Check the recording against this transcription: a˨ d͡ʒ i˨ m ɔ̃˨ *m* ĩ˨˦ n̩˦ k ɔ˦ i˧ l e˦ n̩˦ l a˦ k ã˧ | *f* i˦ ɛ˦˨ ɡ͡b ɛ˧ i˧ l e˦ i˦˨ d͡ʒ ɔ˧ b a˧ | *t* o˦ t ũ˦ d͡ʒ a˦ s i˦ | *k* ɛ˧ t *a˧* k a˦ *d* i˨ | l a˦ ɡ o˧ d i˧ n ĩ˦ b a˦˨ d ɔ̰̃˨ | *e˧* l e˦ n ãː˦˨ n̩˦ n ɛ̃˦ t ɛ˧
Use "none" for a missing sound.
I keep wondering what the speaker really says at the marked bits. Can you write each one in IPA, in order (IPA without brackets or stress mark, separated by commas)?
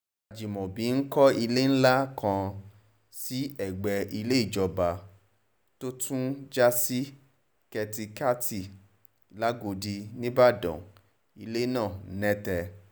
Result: b, s, t, k, i˧, t, i˧